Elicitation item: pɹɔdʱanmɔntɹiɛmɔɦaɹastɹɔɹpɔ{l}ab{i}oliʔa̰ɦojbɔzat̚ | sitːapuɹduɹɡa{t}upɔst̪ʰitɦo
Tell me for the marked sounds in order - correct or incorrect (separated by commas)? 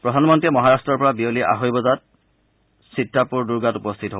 incorrect, correct, correct